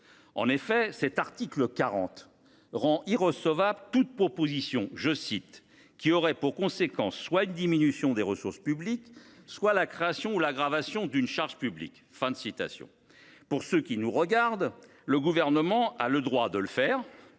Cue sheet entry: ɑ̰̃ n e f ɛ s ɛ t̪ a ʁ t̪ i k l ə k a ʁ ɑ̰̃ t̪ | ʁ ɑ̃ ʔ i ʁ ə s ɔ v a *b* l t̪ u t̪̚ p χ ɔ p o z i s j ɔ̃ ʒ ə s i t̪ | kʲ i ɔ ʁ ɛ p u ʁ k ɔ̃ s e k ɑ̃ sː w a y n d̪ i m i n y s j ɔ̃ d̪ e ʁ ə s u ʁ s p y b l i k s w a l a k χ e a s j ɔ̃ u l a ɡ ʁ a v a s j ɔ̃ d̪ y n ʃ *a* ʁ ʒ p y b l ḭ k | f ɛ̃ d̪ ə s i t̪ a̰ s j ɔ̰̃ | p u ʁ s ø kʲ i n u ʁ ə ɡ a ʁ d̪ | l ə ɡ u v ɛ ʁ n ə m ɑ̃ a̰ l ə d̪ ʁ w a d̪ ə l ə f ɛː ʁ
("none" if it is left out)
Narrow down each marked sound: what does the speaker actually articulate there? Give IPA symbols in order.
b, a

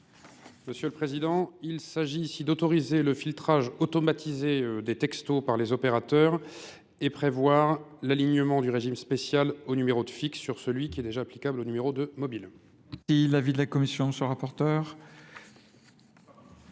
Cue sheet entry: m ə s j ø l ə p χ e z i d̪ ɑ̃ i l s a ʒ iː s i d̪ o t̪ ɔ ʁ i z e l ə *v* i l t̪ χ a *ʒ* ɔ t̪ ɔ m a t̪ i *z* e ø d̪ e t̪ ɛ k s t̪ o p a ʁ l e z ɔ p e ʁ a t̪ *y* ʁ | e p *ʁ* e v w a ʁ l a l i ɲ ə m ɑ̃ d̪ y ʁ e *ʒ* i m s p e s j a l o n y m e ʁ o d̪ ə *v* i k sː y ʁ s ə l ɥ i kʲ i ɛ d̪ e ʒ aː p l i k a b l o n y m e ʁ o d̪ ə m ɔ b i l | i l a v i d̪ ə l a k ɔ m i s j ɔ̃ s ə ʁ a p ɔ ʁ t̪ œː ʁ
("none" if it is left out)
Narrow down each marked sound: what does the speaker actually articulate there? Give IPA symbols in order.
f, ʒ, z, œ, χ, ʒ, f

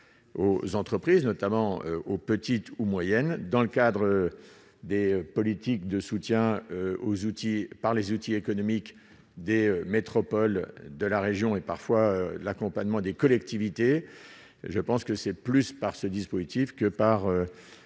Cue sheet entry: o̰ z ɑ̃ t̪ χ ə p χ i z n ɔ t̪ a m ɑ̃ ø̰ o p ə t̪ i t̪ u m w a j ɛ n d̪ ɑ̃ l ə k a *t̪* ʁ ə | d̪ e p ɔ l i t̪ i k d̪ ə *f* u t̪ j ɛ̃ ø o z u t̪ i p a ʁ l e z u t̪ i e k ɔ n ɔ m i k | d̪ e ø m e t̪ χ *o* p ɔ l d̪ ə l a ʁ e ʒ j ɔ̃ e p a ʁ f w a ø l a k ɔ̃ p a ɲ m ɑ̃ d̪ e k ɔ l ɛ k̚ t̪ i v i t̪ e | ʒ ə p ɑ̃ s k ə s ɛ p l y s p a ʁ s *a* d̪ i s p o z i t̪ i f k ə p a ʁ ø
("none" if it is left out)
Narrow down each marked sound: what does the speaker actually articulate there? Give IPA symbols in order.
d̪, s, ɔ, ə

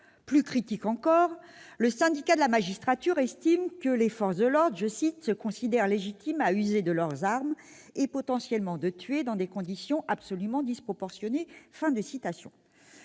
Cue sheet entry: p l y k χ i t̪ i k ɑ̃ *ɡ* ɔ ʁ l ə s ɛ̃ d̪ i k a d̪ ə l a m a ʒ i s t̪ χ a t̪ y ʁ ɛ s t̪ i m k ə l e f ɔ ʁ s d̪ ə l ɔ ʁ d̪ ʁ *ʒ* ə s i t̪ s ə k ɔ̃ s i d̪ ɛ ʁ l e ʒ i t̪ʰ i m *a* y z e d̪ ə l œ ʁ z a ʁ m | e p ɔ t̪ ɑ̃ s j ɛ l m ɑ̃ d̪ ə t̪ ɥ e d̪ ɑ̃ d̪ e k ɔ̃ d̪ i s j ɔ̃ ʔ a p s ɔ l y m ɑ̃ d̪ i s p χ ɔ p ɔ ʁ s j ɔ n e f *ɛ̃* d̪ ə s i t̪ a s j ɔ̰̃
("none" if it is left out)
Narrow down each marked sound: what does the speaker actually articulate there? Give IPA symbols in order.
k, ʒ, a, ɛ̃

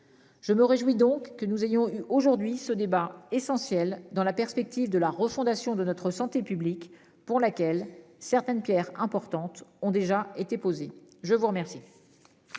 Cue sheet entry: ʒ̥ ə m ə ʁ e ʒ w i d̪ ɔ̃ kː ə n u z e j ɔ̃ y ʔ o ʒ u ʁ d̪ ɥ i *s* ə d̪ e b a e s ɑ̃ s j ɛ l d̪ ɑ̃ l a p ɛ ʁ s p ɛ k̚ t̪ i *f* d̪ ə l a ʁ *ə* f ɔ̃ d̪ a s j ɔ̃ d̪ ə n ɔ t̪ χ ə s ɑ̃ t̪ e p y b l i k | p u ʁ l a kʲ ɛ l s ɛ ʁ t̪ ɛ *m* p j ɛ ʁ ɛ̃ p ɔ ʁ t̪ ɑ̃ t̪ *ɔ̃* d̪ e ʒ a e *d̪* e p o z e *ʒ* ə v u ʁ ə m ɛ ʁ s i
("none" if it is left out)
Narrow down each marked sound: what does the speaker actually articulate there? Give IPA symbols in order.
s, v, ə, n, ɔ̃, t̪, ʒ

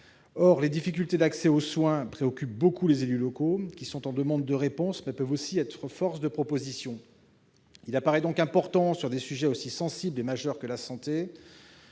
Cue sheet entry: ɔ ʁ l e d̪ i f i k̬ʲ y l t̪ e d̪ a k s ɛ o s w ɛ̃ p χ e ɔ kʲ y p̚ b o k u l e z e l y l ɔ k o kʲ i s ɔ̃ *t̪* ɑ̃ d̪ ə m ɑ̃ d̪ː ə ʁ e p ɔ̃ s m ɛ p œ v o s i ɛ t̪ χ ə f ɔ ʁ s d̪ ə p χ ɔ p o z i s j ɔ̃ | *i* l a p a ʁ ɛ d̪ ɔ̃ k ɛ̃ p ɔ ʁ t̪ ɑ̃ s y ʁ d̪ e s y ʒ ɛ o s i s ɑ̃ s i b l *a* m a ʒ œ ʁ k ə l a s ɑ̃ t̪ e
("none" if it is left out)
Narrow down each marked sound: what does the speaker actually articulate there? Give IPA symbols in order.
t̪, i, e

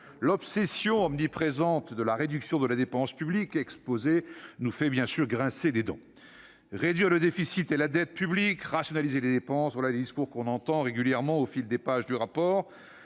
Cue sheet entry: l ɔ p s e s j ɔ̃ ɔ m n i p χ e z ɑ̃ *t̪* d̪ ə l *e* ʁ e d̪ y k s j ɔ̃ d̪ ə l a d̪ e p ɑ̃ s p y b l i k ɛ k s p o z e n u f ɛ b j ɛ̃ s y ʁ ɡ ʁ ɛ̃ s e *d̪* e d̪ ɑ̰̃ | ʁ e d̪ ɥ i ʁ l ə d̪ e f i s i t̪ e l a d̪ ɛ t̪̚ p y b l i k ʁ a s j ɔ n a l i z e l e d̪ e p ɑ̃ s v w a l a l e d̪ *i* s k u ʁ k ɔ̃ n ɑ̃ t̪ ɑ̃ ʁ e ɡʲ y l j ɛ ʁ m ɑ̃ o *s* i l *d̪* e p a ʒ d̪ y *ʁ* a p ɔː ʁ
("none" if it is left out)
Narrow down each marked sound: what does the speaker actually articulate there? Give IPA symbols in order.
t̪, a, d̪, i, f, d̪, ʁ

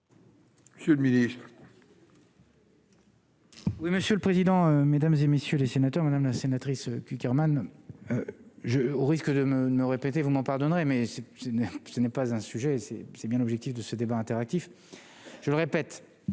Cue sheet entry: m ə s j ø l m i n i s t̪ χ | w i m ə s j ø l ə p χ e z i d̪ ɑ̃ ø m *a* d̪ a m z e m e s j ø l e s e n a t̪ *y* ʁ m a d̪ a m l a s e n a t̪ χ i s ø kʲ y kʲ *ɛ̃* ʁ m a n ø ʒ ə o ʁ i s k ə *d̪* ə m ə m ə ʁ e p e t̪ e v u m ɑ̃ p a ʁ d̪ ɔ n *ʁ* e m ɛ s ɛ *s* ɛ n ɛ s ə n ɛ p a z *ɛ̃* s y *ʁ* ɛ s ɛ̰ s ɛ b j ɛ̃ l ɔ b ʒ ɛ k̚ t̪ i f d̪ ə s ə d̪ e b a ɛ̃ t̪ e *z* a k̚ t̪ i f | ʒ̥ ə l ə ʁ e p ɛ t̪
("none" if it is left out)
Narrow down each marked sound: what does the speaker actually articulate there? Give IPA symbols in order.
e, œ, ɛ, d̪, ʁ, s, ɛ̃, ʒ, ʁ

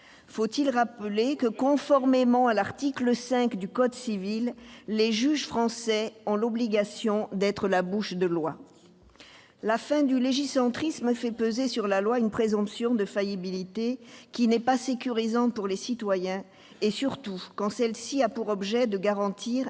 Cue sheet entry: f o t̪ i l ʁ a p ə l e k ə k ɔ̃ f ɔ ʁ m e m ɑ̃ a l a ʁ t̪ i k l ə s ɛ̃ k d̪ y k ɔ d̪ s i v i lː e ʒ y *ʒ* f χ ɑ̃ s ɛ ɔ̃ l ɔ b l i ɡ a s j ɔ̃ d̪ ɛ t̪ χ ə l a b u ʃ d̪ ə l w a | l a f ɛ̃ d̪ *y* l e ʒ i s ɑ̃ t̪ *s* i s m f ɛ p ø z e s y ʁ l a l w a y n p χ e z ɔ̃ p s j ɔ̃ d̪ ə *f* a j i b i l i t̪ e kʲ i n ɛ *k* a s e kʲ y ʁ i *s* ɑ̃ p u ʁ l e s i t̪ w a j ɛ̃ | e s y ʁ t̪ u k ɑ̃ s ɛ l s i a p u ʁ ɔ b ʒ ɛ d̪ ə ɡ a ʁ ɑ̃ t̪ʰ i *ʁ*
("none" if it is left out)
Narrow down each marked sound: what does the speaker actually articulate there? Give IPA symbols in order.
ʒ, y, χ, f, p, z, ʁ

